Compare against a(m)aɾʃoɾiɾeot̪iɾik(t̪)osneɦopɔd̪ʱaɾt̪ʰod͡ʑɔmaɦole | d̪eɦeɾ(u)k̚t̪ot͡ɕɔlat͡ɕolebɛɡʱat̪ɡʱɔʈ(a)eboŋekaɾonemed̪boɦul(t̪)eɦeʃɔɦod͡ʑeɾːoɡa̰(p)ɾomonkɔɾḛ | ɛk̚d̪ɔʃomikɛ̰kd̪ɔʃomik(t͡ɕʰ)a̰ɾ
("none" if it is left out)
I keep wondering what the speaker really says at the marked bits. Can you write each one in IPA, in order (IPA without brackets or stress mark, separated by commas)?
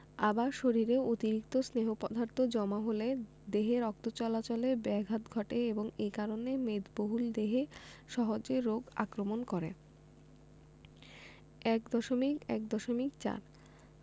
b, t̪, ɔ, e, d̪, k, t͡ɕ